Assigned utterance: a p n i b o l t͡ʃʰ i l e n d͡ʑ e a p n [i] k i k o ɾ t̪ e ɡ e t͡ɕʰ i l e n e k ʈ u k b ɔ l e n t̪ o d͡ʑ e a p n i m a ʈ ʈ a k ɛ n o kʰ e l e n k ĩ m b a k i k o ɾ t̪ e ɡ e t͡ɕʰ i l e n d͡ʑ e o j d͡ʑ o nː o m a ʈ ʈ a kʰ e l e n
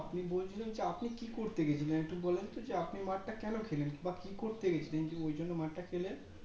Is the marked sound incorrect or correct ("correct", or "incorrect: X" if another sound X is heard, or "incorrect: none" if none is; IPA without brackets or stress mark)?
correct